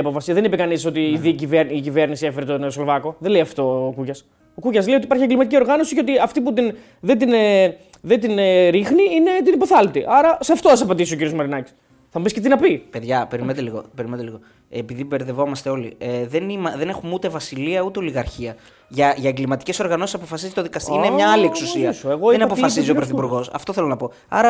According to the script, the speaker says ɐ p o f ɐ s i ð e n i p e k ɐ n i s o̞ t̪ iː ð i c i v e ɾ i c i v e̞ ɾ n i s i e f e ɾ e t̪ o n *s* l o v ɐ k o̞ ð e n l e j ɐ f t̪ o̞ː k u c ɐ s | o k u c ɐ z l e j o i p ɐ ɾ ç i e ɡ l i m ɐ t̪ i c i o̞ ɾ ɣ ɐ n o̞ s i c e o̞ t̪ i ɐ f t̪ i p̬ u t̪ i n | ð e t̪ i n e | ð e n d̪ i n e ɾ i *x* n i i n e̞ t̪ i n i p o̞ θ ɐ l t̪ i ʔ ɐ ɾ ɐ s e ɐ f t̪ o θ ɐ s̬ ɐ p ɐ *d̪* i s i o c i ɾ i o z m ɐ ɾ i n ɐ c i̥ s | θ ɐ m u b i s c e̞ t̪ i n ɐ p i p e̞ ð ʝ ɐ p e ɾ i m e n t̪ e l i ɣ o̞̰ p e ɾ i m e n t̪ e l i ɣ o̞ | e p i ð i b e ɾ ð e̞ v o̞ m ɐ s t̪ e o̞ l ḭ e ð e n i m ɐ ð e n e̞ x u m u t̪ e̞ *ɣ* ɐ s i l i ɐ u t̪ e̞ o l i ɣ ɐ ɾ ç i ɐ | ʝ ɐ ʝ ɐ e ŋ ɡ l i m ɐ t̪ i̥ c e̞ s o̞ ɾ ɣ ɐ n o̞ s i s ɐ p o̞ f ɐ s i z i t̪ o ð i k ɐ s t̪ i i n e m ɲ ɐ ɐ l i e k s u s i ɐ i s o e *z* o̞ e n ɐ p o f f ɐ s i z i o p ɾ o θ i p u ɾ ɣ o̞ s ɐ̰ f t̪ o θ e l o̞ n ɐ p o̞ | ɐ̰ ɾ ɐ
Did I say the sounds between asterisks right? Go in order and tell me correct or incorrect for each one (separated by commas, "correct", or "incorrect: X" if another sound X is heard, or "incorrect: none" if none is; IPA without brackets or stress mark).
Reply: correct, correct, correct, incorrect: v, incorrect: ɣ